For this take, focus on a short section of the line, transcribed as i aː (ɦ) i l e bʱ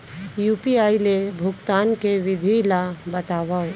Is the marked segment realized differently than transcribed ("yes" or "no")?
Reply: yes